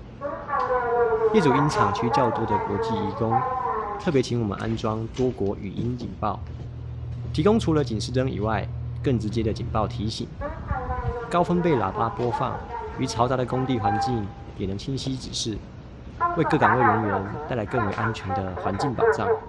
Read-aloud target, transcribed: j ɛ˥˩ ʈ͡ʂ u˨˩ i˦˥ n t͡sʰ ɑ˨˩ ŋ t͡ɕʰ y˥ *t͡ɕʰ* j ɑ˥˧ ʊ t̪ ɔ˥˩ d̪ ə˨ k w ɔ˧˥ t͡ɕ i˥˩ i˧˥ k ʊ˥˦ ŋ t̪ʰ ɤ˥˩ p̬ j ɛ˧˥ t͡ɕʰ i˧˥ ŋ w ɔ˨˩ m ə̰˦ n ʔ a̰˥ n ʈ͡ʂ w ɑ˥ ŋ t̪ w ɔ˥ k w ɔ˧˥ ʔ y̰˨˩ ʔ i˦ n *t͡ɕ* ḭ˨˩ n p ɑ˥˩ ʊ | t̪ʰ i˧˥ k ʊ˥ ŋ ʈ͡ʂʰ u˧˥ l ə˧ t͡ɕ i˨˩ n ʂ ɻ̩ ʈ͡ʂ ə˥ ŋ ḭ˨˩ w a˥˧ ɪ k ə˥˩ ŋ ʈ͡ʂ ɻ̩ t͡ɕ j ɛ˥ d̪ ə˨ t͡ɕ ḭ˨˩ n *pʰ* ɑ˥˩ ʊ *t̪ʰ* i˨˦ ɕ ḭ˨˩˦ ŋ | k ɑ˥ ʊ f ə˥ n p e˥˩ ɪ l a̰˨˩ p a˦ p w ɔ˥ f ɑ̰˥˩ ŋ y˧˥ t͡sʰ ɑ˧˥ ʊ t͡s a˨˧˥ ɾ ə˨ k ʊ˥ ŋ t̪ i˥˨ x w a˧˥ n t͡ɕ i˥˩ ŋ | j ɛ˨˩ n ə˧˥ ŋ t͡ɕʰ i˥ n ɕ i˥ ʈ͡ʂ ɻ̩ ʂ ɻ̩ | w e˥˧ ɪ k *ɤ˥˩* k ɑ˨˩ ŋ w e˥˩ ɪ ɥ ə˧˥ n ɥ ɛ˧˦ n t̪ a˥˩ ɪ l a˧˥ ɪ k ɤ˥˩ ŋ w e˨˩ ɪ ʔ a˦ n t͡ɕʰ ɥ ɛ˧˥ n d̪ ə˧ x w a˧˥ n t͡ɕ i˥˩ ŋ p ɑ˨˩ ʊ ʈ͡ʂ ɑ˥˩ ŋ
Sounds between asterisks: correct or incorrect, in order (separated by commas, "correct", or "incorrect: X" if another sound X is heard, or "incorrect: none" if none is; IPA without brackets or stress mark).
incorrect: t͡ɕ, correct, incorrect: p, correct, correct